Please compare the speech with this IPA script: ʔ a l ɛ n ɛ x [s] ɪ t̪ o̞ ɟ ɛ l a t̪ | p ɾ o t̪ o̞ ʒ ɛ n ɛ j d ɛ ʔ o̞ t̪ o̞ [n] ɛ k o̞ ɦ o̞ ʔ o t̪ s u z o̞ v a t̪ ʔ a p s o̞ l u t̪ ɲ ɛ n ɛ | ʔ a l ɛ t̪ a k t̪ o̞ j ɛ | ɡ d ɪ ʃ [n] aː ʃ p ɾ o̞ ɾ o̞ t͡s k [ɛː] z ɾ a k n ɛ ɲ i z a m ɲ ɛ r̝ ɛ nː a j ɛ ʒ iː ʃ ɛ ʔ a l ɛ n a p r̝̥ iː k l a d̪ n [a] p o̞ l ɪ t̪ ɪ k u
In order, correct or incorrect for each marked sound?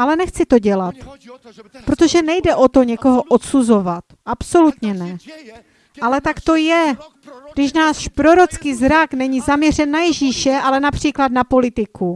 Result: incorrect, incorrect, correct, incorrect, correct

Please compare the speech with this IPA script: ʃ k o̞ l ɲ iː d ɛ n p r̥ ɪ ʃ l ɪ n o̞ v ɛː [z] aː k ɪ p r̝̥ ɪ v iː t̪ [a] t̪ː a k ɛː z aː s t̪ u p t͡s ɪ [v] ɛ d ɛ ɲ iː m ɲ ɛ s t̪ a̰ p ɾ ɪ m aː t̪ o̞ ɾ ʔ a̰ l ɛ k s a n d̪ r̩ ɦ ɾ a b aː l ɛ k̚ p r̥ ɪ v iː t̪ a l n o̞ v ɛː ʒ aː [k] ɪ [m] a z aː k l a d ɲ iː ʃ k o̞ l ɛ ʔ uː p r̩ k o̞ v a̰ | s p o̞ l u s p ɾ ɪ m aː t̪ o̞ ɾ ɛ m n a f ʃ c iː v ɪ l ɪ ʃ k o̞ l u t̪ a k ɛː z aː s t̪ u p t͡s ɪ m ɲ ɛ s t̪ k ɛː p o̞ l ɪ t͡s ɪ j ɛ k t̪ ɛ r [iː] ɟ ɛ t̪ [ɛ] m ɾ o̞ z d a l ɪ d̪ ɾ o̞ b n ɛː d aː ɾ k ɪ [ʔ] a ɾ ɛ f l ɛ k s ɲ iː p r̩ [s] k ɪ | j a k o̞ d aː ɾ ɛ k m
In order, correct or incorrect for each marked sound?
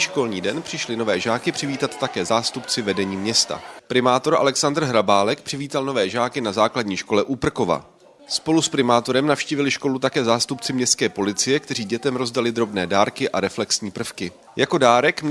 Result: incorrect, correct, correct, correct, incorrect, correct, correct, correct, incorrect

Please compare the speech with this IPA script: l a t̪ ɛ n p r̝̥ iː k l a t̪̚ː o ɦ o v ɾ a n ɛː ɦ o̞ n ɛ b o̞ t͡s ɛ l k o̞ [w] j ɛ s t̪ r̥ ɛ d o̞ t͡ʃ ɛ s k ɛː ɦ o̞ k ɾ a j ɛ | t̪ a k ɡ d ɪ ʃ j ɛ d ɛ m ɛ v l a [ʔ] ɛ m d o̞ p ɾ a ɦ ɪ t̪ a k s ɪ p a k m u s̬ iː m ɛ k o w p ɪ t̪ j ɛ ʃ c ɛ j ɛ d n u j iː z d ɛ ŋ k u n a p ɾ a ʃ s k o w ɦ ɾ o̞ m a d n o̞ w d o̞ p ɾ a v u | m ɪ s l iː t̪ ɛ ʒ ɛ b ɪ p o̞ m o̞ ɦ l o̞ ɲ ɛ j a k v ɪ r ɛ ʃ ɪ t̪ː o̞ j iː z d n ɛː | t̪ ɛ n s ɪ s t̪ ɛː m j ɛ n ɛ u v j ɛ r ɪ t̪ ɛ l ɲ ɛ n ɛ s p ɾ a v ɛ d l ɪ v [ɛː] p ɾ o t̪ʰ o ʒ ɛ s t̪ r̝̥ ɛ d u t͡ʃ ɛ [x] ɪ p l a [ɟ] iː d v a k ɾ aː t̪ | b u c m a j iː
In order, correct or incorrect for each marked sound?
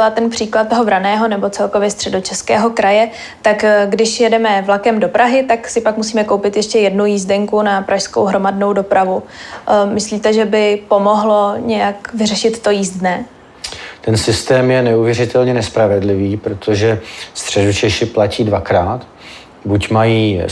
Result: incorrect, incorrect, incorrect, incorrect, incorrect

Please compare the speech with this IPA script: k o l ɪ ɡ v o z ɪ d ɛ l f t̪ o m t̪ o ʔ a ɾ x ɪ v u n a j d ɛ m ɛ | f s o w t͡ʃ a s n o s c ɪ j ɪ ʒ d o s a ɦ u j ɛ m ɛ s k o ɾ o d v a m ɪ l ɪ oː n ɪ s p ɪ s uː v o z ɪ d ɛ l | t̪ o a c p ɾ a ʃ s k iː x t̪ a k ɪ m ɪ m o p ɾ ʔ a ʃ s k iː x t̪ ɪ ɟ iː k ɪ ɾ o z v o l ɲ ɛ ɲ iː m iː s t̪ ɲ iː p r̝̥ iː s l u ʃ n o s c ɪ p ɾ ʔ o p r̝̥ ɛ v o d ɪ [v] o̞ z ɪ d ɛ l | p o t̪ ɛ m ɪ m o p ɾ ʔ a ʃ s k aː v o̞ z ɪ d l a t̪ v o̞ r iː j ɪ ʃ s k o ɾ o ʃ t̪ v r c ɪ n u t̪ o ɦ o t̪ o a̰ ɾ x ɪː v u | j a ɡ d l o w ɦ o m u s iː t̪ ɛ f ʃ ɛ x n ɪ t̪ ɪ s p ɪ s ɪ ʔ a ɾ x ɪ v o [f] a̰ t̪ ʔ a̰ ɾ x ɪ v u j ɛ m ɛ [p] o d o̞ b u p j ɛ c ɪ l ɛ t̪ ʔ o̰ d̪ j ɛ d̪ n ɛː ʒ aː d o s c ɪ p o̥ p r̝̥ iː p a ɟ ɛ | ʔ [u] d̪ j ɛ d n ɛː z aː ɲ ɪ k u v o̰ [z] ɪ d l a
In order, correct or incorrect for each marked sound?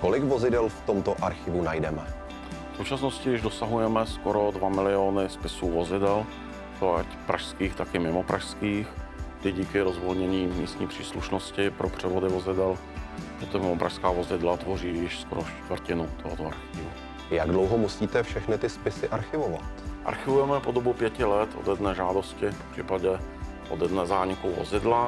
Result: correct, incorrect, correct, incorrect, correct

